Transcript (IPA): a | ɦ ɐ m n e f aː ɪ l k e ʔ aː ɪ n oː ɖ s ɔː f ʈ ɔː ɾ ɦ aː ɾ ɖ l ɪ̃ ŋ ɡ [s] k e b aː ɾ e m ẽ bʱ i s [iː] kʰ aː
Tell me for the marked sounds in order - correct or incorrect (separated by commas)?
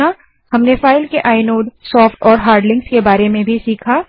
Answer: correct, correct